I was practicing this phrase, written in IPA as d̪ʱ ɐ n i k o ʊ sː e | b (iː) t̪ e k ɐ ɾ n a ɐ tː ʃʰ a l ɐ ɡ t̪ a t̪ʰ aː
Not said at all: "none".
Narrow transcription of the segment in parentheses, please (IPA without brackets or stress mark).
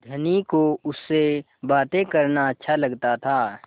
aː